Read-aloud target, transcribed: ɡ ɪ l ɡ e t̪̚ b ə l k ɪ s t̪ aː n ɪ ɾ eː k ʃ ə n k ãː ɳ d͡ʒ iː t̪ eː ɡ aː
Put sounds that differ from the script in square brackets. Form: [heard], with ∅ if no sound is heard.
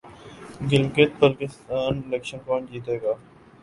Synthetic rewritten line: ɡ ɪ l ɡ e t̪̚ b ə l k ɪ s t̪ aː n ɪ [l] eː k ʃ ə n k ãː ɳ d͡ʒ iː t̪ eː ɡ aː